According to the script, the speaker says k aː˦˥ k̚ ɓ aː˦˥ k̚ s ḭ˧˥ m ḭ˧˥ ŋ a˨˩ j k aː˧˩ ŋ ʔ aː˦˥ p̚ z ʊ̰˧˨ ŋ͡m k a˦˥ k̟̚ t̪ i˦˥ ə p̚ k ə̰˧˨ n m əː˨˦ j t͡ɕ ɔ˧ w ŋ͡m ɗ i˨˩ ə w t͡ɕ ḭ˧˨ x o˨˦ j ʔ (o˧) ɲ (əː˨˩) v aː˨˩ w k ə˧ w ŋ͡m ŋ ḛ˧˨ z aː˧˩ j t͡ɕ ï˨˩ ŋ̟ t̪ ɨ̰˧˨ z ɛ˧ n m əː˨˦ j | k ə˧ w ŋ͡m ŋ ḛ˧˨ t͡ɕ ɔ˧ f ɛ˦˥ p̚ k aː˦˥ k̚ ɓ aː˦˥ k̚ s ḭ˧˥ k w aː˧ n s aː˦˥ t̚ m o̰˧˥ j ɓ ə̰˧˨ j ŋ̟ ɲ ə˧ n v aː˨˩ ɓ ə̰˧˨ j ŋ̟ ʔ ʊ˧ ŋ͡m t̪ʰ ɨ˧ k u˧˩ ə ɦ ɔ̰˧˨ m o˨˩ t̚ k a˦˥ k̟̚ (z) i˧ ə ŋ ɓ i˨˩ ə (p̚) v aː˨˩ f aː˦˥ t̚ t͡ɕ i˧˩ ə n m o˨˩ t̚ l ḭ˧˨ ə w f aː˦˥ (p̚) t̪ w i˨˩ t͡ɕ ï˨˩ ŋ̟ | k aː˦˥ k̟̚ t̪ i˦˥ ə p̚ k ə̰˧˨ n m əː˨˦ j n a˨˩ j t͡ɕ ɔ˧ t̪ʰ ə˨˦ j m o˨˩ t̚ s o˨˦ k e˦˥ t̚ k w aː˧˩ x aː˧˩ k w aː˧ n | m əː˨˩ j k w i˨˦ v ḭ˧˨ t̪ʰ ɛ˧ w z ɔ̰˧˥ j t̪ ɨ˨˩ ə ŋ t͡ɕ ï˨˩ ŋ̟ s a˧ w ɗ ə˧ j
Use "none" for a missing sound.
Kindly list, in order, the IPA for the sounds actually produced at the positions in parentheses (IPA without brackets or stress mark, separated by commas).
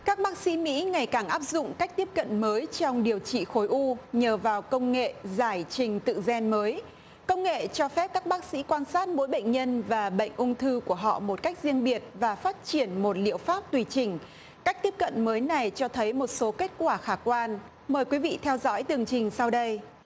u˧, əː˨˩, z, t̚, p̚